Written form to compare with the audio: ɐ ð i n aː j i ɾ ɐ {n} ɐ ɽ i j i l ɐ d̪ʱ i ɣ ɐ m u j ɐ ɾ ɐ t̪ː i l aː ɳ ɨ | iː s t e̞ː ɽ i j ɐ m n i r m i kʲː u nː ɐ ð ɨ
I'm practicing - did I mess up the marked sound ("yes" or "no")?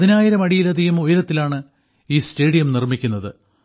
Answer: yes